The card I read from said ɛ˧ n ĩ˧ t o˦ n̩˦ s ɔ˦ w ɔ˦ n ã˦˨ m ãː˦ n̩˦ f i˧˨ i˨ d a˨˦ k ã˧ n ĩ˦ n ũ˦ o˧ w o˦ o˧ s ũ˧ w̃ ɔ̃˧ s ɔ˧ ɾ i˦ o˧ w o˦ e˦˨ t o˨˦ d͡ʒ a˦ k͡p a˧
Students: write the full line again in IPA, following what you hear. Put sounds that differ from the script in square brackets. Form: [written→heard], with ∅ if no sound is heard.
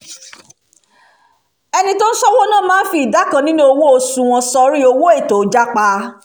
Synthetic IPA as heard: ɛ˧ n ĩ˧ t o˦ n̩˦ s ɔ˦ w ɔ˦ n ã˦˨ m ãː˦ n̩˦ f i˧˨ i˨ d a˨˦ k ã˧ n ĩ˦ n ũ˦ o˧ w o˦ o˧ s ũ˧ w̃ ɔ̃˧ s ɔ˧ ɾ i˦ o˧ w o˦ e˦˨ t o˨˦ d͡ʒ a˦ k͡p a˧